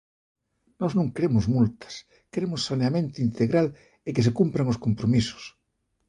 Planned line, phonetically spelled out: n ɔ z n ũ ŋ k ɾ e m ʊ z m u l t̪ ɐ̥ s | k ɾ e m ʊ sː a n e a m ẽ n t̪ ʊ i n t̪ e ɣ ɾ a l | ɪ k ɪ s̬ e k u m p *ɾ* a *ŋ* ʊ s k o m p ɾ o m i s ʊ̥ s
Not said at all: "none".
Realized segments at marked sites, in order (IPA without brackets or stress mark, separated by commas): ɾ, ŋ